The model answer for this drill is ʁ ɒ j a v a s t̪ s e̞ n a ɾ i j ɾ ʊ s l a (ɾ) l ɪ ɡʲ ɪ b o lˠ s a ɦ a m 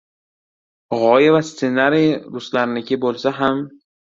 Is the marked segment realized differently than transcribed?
no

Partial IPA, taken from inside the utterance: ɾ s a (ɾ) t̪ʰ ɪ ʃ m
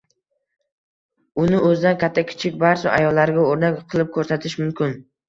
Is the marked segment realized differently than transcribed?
yes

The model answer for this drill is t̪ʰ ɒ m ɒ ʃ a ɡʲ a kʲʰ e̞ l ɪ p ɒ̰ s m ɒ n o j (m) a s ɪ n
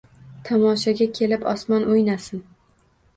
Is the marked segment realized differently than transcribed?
yes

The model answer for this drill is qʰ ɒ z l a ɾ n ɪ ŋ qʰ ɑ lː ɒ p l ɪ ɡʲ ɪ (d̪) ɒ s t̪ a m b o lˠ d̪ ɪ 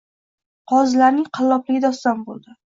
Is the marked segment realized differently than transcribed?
no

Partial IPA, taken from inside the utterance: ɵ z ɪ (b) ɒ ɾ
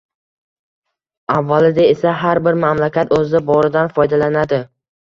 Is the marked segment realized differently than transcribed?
no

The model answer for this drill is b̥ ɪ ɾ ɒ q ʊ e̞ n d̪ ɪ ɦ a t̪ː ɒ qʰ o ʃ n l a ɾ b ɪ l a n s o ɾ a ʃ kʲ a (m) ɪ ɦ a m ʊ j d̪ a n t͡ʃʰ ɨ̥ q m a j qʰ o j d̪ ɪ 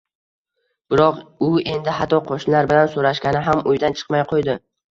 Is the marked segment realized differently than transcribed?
yes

